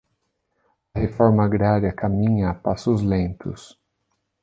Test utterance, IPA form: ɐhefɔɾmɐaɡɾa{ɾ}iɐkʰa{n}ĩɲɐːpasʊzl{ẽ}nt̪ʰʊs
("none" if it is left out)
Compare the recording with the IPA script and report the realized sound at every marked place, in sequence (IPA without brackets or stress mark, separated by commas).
ɾ, m, ẽ